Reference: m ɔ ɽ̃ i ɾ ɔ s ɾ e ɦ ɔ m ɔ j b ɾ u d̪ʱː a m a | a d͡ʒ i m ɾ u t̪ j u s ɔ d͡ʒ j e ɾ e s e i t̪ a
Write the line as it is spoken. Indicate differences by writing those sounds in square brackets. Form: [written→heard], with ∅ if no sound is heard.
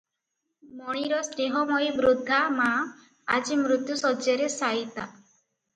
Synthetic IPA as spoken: m ɔ ɽ̃ i ɾ ɔ s ɾ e ɦ ɔ m ɔ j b ɾ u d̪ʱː a m a | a d͡ʒ i m ɾ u t̪ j u s ɔ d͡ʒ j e ɾ e s [e→a] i t̪ a